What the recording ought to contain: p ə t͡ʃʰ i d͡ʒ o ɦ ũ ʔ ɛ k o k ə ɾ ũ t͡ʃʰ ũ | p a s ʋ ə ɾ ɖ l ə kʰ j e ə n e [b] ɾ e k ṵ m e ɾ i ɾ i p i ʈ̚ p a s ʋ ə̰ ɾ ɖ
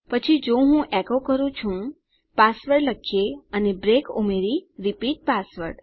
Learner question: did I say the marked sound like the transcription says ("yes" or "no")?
yes